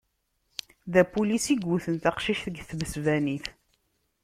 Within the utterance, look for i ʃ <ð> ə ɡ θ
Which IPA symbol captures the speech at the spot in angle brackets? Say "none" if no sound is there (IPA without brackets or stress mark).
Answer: θ